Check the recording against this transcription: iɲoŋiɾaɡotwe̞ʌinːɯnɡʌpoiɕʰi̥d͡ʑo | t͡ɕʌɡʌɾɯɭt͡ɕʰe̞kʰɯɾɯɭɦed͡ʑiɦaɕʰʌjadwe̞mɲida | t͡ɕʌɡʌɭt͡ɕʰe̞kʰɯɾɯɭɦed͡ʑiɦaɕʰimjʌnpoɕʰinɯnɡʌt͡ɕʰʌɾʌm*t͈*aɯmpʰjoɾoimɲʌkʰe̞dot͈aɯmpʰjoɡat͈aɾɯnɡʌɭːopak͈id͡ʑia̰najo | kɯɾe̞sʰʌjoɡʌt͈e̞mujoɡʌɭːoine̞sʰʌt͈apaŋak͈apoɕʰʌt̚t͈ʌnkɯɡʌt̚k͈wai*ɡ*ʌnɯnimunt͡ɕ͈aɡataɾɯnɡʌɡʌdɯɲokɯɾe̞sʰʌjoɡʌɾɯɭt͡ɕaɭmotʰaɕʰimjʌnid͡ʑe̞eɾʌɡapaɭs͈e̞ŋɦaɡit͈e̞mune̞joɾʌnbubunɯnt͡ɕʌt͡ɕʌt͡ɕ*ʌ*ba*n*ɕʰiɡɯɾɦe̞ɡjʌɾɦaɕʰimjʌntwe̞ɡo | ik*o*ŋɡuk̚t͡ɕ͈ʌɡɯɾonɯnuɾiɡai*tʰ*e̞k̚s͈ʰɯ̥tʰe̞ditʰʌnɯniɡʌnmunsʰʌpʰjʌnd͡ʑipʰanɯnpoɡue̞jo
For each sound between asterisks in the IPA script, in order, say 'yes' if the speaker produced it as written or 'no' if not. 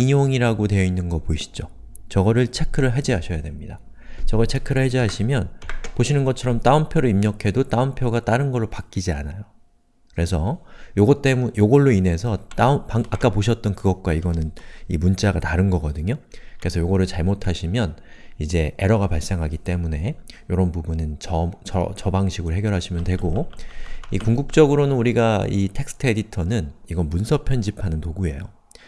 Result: yes, yes, yes, no, no, yes

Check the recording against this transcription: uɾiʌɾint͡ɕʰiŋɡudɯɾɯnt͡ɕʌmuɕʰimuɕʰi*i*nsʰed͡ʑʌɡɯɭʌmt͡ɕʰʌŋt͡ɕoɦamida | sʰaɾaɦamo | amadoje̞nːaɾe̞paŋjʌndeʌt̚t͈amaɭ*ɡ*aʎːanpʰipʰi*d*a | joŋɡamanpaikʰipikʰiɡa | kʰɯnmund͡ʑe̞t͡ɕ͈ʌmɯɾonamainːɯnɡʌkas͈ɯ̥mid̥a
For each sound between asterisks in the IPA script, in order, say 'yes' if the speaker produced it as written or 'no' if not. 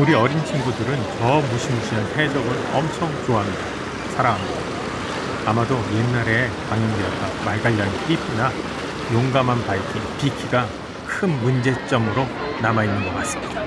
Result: no, yes, no

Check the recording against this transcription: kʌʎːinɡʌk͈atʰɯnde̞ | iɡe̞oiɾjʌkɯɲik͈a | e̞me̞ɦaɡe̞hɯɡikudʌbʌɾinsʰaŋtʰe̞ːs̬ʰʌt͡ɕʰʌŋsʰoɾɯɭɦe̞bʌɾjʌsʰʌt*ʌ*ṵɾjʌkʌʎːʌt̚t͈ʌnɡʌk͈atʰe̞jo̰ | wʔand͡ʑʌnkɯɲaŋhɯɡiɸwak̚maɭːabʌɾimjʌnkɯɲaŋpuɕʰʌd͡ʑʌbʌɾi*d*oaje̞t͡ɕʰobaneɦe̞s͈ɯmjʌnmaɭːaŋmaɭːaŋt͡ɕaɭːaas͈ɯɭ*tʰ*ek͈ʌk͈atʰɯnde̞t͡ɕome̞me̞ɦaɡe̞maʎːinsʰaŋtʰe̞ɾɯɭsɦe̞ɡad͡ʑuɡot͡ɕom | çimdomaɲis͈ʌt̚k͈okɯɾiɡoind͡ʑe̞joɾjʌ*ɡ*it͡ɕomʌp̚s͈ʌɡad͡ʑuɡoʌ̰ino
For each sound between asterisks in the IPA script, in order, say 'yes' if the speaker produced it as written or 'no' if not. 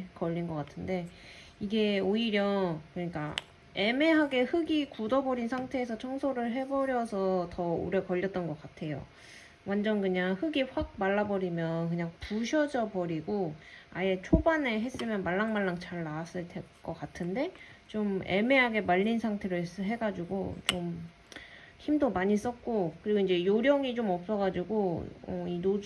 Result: yes, no, yes, no

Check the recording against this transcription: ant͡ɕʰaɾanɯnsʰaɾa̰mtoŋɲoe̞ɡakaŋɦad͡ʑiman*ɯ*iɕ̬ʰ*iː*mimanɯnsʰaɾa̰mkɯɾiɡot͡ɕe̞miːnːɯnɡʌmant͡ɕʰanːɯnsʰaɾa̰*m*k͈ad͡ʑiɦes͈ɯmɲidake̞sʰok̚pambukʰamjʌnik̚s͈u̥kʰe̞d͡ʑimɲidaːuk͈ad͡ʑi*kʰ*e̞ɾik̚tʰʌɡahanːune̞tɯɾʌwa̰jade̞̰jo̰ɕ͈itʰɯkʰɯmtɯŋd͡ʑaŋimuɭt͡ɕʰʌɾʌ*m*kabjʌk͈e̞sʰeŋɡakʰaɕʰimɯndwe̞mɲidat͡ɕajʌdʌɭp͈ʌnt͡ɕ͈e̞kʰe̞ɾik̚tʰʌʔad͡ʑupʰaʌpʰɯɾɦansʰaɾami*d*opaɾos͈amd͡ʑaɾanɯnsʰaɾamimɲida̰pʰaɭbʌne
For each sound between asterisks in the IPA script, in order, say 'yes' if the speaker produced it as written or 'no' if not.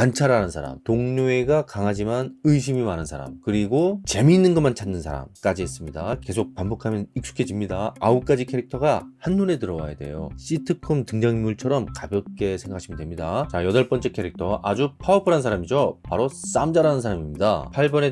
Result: yes, no, yes, yes, yes, no

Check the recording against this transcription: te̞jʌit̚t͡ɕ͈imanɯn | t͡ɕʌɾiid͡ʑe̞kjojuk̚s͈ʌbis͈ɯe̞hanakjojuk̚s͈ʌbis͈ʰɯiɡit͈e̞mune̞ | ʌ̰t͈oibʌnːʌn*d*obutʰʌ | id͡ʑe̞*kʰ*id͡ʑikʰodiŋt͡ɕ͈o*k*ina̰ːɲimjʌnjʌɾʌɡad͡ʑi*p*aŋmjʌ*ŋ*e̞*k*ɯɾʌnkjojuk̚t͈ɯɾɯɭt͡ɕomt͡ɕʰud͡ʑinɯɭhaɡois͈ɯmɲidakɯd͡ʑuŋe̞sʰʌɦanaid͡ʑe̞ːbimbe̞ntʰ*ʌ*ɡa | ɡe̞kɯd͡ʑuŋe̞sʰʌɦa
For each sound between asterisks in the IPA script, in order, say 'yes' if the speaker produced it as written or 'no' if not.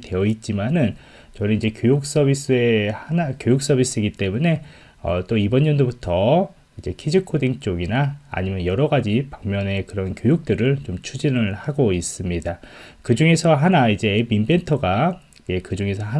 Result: yes, yes, no, yes, no, yes, yes

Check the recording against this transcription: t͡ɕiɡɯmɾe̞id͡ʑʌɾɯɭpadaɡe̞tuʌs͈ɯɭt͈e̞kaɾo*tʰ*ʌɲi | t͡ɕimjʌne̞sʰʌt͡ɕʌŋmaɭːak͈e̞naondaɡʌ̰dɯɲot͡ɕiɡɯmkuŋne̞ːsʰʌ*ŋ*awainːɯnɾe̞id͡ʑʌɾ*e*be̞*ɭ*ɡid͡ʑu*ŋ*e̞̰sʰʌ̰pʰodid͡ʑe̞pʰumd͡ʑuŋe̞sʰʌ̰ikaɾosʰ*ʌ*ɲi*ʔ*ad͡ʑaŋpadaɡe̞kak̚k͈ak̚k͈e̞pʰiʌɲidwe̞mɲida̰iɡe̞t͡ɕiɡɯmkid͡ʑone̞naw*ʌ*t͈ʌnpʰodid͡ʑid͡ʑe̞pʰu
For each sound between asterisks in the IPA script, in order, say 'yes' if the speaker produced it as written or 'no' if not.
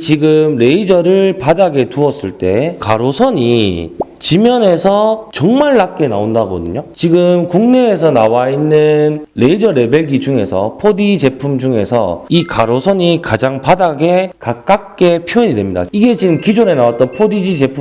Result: no, no, yes, yes, yes, yes, no, no

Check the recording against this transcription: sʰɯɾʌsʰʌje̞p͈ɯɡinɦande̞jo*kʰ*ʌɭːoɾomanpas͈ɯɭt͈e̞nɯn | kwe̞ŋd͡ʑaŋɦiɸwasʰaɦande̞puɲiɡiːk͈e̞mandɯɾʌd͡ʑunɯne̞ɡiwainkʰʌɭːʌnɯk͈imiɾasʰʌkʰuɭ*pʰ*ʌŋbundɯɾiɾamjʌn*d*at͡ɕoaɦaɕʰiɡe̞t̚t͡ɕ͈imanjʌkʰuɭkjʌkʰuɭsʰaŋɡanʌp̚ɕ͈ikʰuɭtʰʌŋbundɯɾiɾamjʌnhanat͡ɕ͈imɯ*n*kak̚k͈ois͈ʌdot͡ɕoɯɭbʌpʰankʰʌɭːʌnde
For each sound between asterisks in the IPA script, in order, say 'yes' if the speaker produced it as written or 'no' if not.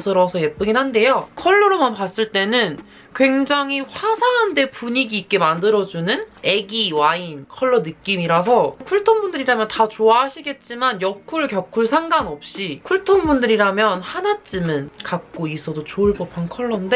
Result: yes, no, no, yes

